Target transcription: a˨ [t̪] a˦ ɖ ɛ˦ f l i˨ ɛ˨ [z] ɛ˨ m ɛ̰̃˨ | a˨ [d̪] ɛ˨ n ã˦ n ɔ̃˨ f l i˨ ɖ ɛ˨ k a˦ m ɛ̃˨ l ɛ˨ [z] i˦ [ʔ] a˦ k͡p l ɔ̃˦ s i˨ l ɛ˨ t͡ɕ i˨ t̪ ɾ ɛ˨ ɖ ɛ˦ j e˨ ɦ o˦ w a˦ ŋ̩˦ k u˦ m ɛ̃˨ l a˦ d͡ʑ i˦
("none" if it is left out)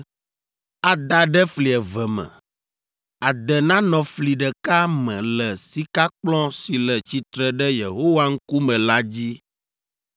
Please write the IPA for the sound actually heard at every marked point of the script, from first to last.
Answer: d̪, v, d̪, s, k

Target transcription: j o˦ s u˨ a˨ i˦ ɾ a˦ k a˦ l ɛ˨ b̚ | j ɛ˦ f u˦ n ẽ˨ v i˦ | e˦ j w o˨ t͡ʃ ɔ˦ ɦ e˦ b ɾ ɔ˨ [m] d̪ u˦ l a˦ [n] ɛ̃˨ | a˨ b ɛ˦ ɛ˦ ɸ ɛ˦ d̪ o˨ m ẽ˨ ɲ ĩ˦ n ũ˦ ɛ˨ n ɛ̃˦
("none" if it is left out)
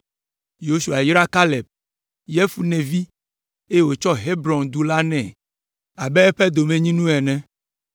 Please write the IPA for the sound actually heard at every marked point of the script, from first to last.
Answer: n, n

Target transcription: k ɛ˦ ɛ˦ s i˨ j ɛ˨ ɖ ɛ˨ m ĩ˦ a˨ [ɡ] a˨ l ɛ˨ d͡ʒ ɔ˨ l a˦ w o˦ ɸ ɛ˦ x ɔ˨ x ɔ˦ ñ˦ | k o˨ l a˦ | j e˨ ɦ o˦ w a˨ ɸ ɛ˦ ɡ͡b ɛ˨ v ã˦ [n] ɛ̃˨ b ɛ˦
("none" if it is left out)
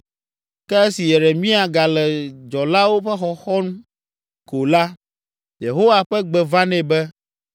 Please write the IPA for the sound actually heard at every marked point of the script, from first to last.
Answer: ɡ, n

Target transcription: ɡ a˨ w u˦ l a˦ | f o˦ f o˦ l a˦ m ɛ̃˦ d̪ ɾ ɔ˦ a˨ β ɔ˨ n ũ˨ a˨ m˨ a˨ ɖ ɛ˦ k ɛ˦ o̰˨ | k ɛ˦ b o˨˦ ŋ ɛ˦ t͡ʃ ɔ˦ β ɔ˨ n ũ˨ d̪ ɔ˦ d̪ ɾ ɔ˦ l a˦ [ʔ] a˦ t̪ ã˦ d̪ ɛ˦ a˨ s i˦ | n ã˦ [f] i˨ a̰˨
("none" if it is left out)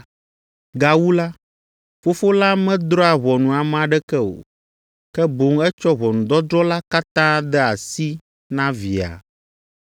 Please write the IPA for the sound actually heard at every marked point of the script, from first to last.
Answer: k, v

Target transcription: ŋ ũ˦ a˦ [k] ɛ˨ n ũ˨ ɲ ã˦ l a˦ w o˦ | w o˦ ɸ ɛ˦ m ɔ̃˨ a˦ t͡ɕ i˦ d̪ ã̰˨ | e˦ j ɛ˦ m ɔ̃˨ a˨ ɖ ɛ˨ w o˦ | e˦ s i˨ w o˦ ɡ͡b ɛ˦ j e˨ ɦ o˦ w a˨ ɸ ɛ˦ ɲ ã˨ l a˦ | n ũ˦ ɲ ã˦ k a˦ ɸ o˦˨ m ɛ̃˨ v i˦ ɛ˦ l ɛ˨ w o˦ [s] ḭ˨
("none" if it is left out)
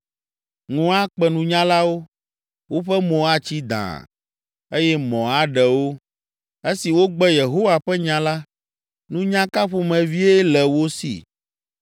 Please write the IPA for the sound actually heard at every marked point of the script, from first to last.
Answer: k͡p, s

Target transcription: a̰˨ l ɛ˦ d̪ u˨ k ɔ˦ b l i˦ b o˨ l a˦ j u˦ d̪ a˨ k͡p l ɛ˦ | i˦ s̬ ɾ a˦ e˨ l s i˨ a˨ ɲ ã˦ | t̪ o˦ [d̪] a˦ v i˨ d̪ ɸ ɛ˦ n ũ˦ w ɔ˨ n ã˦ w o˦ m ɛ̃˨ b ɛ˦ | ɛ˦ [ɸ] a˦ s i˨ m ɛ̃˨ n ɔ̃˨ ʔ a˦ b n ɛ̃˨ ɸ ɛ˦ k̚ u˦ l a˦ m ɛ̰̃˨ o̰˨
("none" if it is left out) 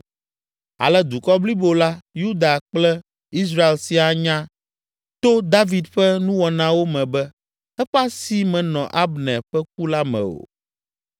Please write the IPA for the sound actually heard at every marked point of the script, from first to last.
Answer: d̪, ɸ

